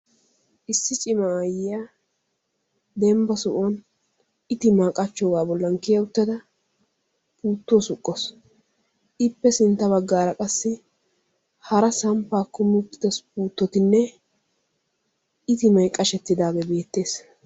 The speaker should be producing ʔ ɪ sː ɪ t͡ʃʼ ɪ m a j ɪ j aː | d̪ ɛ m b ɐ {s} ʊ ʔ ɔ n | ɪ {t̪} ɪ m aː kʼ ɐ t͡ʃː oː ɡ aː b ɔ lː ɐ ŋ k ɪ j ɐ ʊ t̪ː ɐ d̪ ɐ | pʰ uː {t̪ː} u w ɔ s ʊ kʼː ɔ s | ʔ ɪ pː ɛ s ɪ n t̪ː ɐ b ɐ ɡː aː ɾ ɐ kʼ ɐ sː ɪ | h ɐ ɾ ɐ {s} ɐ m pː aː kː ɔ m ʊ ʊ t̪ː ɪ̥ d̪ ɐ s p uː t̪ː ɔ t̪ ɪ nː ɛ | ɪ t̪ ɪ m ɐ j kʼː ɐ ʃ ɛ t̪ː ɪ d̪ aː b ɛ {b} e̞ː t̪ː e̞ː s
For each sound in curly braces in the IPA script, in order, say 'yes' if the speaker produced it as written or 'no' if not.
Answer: yes, yes, yes, yes, yes

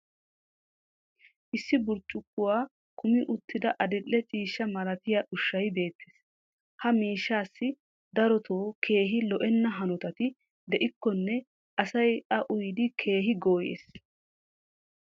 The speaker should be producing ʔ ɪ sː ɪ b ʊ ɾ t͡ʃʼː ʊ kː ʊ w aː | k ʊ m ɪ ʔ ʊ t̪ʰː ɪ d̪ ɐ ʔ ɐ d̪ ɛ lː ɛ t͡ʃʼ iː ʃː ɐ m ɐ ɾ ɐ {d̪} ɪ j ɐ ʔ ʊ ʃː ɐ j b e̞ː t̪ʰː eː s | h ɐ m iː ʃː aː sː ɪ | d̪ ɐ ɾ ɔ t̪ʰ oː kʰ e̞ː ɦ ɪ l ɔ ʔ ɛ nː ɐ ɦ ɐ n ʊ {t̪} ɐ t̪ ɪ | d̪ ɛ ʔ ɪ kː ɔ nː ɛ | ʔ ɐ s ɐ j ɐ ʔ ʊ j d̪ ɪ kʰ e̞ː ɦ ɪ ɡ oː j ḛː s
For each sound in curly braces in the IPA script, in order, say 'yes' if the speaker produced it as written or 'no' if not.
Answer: no, yes

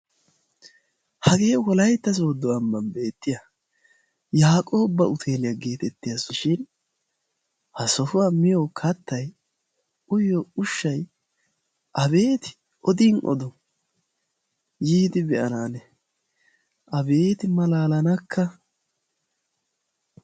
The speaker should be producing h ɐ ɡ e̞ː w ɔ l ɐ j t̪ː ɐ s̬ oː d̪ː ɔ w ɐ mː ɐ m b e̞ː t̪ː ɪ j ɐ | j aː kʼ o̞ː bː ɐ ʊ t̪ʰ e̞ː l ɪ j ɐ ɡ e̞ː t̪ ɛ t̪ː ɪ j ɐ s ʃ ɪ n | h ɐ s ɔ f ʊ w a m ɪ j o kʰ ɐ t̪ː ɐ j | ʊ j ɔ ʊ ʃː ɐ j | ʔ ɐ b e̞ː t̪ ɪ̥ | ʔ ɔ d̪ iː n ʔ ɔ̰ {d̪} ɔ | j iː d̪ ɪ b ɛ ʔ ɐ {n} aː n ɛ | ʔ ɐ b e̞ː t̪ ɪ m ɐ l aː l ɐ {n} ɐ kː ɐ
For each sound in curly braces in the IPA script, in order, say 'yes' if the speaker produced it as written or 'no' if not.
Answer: yes, yes, yes

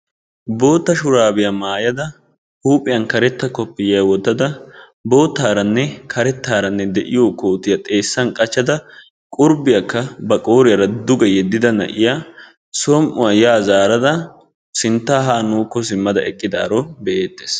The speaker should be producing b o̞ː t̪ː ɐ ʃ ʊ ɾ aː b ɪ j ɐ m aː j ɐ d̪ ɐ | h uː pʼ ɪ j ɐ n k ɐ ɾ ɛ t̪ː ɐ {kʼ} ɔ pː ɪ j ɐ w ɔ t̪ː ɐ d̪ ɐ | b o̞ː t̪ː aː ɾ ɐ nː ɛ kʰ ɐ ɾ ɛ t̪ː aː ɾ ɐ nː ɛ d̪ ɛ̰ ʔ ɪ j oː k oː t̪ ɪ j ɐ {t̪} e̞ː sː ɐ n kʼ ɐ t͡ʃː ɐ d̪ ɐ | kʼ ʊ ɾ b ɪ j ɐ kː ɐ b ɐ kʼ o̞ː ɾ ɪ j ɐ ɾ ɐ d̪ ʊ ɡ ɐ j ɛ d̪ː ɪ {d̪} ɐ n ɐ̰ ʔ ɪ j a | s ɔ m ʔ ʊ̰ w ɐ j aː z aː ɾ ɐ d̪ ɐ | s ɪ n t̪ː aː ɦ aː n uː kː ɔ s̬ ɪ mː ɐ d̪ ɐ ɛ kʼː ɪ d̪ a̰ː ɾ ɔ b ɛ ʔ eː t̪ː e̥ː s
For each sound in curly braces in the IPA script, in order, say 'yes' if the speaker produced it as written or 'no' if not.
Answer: no, no, yes

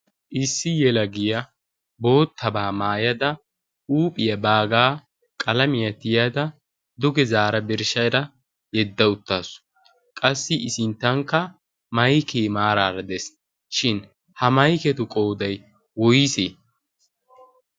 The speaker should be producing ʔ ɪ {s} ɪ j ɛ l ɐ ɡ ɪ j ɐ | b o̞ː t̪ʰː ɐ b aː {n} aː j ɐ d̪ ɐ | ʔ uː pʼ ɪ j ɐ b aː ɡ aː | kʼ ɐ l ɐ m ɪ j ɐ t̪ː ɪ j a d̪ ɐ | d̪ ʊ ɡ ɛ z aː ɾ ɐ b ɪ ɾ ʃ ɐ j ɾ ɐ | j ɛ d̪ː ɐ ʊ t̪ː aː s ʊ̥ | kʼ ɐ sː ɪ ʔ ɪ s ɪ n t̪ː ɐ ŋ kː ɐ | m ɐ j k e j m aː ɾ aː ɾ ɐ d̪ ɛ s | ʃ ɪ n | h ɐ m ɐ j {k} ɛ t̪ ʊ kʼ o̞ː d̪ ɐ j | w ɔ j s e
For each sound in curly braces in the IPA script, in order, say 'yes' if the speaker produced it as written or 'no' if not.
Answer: no, no, yes

